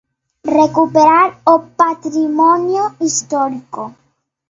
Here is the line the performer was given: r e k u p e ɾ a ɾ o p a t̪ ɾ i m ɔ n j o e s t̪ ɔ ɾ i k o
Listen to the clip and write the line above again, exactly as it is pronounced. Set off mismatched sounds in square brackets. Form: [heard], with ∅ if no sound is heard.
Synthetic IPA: r e k u p e ɾ a ɾ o p a t̪ ɾ i m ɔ n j o [i] s t̪ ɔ ɾ i k o

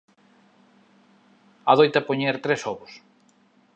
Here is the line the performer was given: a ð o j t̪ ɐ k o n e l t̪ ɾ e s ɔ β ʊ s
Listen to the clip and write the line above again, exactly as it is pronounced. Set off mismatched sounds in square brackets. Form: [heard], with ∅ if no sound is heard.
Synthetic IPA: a ð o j t̪ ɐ [p] o [ɲ] e [ɾ] t̪ ɾ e s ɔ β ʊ s

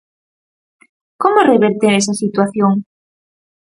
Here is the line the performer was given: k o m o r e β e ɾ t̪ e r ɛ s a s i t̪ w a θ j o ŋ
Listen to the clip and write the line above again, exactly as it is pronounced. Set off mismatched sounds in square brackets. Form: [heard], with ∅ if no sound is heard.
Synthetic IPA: k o m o r e β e ɾ t̪ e [ɾ] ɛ s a s i t̪ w a θ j o ŋ

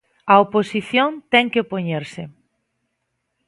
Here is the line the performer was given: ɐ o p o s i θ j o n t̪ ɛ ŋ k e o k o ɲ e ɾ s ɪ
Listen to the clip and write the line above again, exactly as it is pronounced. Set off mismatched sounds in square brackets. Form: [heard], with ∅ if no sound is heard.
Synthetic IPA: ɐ o p o s i θ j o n t̪ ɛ ŋ k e o [p] o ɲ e ɾ s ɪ

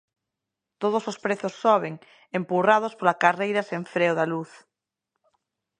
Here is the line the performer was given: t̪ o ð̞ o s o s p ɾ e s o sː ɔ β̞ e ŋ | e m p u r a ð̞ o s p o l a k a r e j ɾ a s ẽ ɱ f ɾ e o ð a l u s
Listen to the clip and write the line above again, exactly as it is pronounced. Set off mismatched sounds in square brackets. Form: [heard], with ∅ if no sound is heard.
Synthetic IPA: t̪ o ð̞ o s o s p ɾ e [θ] o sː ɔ β̞ e ŋ | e m p u r a ð̞ o s p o l a k a r e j ɾ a s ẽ ɱ f ɾ e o ð a l u [θ]

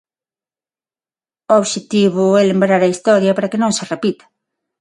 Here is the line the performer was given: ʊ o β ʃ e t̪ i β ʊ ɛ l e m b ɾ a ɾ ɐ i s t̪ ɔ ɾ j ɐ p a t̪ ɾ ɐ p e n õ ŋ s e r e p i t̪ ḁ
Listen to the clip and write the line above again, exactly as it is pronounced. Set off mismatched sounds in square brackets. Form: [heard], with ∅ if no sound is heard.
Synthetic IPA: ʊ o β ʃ e t̪ i β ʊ ɛ l e m b ɾ a ɾ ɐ i s t̪ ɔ ɾ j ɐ p a [∅] ɾ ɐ [k] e n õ ŋ s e r e p i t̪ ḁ

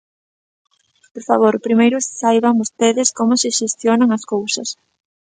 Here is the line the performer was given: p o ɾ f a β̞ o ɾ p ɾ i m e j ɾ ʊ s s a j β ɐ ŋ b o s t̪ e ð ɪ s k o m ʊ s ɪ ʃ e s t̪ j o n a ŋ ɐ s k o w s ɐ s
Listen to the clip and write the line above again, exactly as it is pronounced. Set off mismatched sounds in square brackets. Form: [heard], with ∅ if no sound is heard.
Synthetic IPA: p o ɾ f a β̞ o ɾ p ɾ i m e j ɾ ʊ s s a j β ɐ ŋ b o s t̪ e ð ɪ s k o m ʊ s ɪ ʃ e s t̪ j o n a ŋ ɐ s k o w s ɐ s

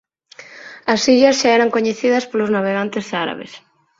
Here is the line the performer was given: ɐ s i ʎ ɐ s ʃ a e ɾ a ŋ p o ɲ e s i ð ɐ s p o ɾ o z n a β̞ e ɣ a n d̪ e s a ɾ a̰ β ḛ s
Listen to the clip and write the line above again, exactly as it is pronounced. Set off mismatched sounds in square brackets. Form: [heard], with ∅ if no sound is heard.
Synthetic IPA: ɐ s i ʎ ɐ s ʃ a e ɾ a ŋ [k] o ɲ e [θ] i ð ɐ s p o [l] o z n a β̞ e ɣ a n [t̪] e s a ɾ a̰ β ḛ s

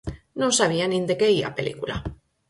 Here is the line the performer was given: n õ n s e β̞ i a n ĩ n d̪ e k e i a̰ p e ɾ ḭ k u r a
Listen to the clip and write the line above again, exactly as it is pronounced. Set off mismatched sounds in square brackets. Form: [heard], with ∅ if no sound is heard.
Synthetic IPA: n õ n s [a] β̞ i a n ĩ n d̪ e k e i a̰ p e [l] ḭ k u [l] a

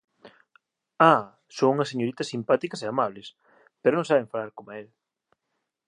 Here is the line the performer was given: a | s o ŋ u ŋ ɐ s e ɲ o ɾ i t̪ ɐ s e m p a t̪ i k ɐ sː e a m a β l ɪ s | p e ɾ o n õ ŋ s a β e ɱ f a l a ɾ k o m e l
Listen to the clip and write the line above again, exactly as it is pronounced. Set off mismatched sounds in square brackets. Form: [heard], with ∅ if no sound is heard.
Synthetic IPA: a | s o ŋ u ŋ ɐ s e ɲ o ɾ i t̪ ɐ s [i] m p a t̪ i k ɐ [s] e a m a β l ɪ s | p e ɾ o n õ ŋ s a β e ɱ f a l a ɾ k o m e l

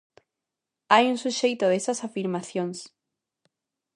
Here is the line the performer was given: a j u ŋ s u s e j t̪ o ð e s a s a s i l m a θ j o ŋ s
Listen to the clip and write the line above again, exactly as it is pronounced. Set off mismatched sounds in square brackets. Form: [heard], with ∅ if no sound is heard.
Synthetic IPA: a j u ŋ s u [ʃ] e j t̪ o ð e s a s a [f] i [ɾ] m a θ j o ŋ s

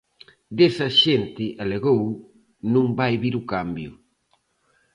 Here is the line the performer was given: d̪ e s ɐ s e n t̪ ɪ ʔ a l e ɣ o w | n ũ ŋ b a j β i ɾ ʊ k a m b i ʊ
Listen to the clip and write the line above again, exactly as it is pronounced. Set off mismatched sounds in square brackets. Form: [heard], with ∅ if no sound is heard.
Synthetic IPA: d̪ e s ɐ [ʃ] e n t̪ ɪ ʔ a l e ɣ o w | n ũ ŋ b a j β i ɾ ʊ k a m b [j] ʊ

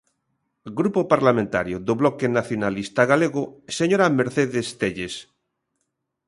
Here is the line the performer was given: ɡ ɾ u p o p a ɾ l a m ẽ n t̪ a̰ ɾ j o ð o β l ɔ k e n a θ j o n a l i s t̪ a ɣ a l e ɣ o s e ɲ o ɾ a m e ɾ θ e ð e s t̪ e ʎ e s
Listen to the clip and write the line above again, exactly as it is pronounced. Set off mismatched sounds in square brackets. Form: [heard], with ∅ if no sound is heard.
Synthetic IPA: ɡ ɾ u p o p a ɾ l a m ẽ n t̪ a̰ ɾ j o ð o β l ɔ k e n a θ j o n a l i s t̪ a ɣ a l e ɣ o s e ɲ o ɾ a m e ɾ θ e ð e s t̪ e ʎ e s

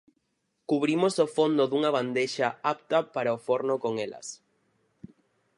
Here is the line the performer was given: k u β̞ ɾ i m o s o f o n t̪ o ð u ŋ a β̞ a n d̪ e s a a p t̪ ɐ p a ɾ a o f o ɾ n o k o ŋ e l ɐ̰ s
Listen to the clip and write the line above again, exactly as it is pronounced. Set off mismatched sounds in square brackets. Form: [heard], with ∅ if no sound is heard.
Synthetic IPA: k u β̞ ɾ i m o s o f o n [d̪] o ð u ŋ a β̞ a n d̪ e [ʃ] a a p t̪ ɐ p a ɾ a o f o ɾ n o k o ŋ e l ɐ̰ s

